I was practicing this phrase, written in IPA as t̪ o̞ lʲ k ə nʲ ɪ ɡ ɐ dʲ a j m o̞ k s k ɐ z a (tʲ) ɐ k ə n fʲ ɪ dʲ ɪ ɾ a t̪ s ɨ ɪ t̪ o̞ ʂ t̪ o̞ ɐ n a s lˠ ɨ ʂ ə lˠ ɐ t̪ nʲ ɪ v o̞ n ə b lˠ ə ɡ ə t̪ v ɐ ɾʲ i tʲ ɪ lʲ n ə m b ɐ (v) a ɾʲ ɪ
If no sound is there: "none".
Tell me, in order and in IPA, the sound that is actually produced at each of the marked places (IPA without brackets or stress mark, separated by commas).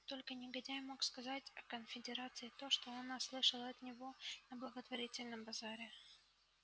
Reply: tʲ, z